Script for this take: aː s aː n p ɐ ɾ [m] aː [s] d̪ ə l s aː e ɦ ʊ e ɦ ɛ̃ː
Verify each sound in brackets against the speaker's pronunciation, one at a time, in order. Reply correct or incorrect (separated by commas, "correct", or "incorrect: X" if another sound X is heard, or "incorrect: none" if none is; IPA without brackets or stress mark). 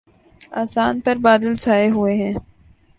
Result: incorrect: b, incorrect: none